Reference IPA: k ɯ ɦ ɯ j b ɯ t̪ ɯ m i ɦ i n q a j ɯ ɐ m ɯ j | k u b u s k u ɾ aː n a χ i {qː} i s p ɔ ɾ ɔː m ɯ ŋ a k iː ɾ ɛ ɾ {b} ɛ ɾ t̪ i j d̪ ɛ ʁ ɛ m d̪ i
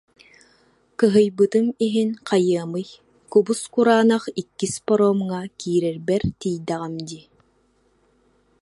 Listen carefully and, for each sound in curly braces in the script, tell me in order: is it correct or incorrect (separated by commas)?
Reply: incorrect, correct